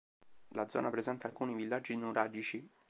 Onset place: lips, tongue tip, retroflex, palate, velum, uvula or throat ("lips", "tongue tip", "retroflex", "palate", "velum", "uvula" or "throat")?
tongue tip